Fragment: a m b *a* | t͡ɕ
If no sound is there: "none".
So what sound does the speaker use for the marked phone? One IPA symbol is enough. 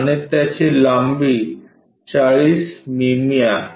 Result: i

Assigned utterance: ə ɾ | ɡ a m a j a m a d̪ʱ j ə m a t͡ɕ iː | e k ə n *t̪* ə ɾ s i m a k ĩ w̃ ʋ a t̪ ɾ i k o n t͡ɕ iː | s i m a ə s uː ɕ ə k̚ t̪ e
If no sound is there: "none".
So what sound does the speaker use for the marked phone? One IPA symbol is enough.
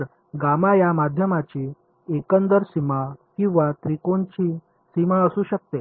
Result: d̪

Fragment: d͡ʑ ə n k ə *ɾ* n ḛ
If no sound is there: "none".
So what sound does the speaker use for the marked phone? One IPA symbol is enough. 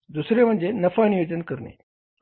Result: ɾ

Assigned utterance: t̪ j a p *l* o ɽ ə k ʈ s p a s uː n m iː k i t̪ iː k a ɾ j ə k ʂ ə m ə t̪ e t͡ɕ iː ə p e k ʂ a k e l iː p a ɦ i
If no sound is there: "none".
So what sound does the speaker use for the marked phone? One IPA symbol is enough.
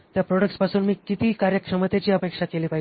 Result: ɾ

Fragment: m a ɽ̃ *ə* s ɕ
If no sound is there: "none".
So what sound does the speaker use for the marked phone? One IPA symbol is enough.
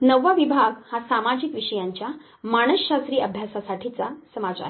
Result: ə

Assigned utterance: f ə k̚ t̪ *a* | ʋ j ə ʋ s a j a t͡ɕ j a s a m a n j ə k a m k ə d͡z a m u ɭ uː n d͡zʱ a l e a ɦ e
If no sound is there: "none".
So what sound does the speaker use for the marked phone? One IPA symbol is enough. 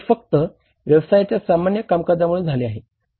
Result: ə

